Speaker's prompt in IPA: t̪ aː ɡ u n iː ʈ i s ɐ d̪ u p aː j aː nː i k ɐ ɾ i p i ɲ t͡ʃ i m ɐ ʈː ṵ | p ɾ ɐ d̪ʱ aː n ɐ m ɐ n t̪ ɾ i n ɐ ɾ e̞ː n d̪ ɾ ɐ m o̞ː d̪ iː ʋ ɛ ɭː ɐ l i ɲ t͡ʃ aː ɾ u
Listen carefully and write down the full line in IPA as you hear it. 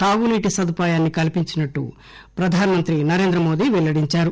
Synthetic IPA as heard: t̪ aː ɡ u n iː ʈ i s ɐ d̪ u p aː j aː nː i k ɐ l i p i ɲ t͡ʃ i n ɐ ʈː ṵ | p ɾ ɐ d̪ʱ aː n ɐ m ɐ n t̪ ɾ i n ɐ ɾ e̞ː n d̪ ɾ ɐ m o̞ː d̪ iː ʋ ɛ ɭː ɐ ɽ i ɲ t͡ʃ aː ɾ u